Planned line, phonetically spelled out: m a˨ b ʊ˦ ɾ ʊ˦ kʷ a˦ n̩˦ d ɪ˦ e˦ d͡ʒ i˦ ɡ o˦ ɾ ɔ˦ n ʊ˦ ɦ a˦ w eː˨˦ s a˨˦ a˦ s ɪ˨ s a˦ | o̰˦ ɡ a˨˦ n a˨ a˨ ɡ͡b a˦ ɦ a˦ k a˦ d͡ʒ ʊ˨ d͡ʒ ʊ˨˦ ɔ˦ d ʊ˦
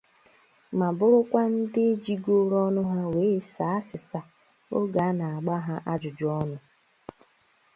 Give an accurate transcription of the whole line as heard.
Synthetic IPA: m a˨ b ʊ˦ ɾ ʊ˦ kʷ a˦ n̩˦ d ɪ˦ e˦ d͡ʒ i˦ ɡ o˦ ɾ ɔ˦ n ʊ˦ ɦ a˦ w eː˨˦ s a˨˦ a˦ s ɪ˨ s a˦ | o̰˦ ɡ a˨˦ n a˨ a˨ ɡ͡b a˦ ɦ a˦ ʔ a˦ d͡ʒ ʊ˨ d͡ʒ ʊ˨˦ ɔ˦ n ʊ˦